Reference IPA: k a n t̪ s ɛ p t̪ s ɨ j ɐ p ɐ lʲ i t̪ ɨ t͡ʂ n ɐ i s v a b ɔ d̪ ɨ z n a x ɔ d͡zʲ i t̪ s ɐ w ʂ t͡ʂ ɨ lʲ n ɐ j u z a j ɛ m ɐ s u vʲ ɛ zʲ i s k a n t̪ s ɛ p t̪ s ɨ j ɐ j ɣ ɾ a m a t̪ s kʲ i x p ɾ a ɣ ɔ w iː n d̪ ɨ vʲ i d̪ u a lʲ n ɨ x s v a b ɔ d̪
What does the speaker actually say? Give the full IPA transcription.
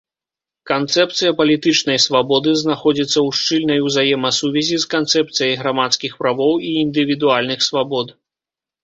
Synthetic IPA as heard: k a n t̪ s ɛ p t̪ s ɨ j ɐ p ɐ lʲ i t̪ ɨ t͡ʂ n ɐ j s v a b ɔ d̪ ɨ z n a x ɔ d͡zʲ i t̪ sː ɐ w ʂ t͡ʂ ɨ lʲ n ɐ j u z a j ɛ m ɐ s u vʲ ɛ zʲ i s k a n t̪ s ɛ p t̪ s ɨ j ɐ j ɣ ɾ a m a t̪ s kʲ i x p ɾ a v ɔ w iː n d̪ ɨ vʲ i d̪ u a lʲ n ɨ x s v a b ɔ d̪